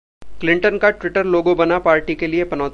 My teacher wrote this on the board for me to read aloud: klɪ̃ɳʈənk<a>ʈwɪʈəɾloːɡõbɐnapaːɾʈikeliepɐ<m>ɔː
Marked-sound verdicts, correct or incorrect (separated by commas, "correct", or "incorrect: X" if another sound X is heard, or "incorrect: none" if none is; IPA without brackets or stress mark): correct, incorrect: n